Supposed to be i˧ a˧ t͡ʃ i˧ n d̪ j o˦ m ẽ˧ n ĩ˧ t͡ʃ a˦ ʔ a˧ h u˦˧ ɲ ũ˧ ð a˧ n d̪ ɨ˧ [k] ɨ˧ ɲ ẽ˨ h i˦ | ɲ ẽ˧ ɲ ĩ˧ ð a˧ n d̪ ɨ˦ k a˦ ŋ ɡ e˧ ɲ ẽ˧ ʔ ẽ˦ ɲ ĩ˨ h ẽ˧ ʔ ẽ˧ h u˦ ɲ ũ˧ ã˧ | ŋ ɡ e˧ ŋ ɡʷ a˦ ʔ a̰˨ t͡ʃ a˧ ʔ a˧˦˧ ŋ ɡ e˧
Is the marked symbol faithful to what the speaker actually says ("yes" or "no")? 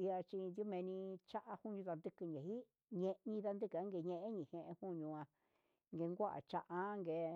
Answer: yes